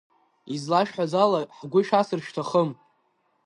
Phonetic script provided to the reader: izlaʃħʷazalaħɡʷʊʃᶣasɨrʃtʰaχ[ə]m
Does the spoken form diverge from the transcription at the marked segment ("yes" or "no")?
no